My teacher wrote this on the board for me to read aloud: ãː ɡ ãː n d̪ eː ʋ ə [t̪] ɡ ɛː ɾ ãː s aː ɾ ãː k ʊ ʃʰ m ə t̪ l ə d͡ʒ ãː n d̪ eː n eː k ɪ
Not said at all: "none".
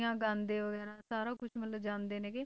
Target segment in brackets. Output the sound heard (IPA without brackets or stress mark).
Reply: none